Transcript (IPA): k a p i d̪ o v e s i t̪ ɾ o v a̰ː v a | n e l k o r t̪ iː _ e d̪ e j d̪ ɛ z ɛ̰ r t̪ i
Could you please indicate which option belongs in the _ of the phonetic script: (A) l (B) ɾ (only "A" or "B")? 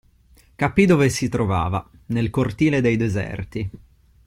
A